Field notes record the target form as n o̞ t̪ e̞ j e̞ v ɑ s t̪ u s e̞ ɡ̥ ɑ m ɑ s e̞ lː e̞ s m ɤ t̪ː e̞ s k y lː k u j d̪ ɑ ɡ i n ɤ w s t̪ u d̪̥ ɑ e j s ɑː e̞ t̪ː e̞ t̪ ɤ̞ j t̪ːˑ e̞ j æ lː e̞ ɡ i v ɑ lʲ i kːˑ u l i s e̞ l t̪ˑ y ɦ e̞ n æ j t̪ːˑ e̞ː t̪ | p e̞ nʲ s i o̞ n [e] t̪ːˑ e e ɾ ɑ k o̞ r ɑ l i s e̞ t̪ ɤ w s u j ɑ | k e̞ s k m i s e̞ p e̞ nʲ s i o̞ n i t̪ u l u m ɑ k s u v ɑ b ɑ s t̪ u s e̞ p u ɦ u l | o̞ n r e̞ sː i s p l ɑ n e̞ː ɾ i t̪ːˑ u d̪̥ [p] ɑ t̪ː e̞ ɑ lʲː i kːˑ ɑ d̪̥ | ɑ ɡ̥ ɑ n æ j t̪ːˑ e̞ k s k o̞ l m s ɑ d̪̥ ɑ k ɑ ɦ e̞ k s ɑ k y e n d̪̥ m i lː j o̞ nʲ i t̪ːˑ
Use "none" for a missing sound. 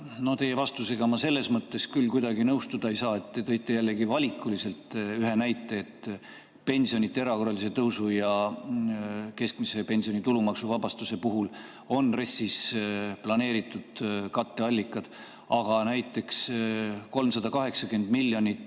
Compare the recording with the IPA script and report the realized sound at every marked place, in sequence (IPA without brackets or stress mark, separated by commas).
i, k